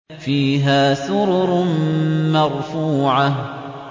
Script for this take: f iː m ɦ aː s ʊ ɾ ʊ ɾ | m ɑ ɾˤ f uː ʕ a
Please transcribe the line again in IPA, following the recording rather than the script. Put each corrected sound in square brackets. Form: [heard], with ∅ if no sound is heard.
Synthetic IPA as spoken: f iː [∅] ɦ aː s ʊ ɾ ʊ ɾ | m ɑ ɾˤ f uː ʕ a